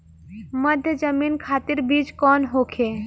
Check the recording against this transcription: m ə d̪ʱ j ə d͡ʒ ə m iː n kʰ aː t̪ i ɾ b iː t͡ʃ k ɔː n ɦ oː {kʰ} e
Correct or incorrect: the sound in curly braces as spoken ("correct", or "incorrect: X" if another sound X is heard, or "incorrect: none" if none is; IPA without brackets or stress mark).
correct